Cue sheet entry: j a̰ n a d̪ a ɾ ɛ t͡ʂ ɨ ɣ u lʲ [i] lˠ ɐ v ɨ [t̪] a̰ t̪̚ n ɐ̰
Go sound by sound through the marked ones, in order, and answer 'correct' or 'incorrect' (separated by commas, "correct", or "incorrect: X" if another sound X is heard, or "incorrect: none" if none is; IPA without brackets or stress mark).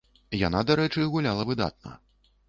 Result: incorrect: a, incorrect: d̪